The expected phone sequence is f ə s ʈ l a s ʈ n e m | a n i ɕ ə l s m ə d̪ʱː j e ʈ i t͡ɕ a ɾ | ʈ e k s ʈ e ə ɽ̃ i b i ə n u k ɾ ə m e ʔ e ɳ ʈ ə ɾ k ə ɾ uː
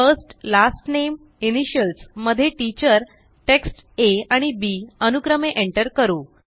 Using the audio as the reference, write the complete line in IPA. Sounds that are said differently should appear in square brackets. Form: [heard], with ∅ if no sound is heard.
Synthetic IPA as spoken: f ə s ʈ l a s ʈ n e m | [i] n i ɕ ə l s m ə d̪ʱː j e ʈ i t͡ɕ [ə] ɾ | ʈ e k s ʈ e [a] ɽ̃ i b i ə n u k ɾ ə m e ʔ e ɳ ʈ ə ɾ k ə ɾ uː